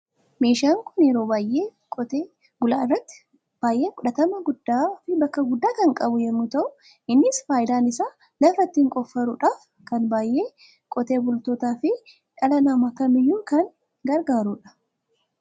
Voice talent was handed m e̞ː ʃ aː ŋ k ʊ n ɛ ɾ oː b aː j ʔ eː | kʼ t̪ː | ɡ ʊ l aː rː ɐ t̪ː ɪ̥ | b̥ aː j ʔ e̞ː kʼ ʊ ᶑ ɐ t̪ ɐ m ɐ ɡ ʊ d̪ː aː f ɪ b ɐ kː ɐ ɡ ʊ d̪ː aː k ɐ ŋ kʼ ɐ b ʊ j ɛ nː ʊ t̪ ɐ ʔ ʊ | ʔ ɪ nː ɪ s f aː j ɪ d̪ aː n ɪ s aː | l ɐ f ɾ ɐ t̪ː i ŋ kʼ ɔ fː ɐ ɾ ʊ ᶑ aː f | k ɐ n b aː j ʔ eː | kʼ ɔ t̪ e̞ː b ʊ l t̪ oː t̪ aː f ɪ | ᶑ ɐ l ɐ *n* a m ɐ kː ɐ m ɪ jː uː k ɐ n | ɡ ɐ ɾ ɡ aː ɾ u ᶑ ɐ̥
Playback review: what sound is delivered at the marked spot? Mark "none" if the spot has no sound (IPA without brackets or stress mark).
n